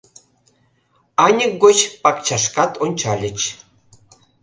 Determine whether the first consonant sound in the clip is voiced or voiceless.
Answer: voiced